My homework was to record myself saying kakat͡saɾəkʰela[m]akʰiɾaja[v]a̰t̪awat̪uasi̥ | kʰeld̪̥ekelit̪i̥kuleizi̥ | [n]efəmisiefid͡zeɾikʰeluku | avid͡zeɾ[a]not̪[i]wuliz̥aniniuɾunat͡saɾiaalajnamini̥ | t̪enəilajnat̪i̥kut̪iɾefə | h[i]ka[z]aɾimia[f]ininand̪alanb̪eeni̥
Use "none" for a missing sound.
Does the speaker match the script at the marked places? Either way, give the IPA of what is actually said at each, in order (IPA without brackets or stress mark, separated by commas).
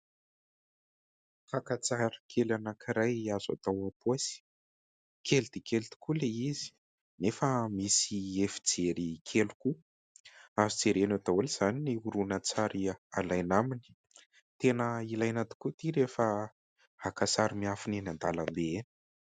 n, z, n, e, a, a, s, f